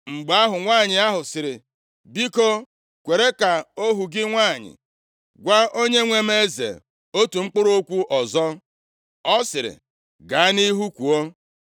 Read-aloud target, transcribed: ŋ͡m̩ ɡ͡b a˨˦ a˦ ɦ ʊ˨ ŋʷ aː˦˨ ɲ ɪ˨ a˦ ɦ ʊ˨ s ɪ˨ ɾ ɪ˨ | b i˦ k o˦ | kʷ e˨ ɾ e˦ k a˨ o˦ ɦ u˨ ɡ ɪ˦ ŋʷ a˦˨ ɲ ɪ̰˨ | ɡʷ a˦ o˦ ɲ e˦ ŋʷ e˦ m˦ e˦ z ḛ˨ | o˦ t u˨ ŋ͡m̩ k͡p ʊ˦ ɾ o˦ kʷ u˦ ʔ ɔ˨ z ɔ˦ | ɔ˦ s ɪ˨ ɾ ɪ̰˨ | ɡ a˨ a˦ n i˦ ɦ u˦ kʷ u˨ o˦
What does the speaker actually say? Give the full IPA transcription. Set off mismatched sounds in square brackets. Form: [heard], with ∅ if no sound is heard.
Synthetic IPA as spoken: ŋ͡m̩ ɡ͡b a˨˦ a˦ ɦ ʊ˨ ŋʷ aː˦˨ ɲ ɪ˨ a˦ ɦ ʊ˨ s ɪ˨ ɾ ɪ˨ | b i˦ k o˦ | kʷ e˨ ɾ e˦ k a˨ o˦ ɦ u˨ ɡ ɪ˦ ŋʷ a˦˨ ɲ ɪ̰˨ | ɡʷ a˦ o˦ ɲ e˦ ŋʷ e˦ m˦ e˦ z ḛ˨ | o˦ t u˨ ŋ͡m̩ k͡p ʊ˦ ɾ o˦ kʷ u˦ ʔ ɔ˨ z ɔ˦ | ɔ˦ s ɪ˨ ɾ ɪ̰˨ | ɡ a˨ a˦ n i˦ ɦ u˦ kʷ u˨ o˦